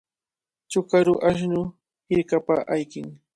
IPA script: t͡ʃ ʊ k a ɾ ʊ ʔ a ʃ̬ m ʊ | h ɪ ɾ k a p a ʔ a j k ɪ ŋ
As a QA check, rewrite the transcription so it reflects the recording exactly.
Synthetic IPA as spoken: t͡ʃ ʊ k a ɾ ʊ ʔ a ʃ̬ n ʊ | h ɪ ɾ k a p a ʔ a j k ɪ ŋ